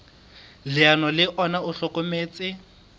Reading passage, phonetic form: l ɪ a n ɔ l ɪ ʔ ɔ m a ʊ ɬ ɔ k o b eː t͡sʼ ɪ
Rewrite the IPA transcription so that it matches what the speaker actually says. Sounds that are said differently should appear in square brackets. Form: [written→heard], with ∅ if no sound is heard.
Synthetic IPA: l ɪ a n ɔ l ɪ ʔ ɔ [m→n] a ʊ ɬ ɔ k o [b→m] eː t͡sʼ ɪ